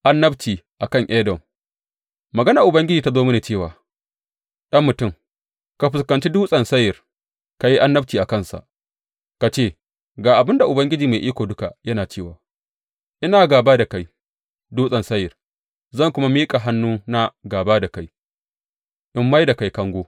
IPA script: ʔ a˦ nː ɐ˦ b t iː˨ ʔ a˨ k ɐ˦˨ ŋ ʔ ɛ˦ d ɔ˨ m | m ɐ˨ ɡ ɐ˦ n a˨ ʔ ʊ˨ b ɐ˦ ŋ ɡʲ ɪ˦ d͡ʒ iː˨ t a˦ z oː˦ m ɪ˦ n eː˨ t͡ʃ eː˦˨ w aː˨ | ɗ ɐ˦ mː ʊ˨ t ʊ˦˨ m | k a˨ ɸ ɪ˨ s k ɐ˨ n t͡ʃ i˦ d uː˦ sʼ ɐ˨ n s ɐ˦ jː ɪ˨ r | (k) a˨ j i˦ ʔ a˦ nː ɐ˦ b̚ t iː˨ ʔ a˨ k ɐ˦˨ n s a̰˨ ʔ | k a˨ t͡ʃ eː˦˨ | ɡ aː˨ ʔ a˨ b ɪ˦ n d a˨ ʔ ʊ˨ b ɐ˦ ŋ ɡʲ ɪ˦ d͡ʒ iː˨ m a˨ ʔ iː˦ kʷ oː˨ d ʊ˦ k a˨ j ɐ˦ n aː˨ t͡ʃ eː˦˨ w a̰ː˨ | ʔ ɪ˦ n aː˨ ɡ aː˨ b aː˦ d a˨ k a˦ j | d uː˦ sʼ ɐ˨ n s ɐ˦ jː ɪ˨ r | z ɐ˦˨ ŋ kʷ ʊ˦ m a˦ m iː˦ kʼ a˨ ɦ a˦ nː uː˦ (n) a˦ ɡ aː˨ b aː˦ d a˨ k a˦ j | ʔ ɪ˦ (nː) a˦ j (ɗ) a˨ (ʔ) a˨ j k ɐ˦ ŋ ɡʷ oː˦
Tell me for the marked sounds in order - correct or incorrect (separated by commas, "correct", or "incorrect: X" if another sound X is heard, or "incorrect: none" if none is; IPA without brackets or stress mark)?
correct, correct, incorrect: mː, incorrect: d, incorrect: k